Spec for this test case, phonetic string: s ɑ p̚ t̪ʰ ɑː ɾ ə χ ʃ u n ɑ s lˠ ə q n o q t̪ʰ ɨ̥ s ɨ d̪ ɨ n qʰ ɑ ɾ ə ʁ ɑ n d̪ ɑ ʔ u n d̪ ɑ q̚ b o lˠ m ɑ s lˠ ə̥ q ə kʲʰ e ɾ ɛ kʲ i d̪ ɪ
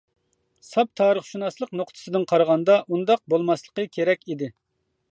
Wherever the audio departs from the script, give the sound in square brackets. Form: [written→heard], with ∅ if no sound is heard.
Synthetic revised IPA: s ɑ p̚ t̪ʰ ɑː ɾ ə χ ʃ u n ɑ s lˠ ə q n o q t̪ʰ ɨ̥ s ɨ d̪ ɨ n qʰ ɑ ɾ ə ʁ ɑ n d̪ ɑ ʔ u n d̪ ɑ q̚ b o lˠ m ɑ s lˠ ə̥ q ə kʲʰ e ɾ ɛ kʲ i d̪ ɪ